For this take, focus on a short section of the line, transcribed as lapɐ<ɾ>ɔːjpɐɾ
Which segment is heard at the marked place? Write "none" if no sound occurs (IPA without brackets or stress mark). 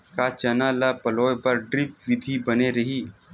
l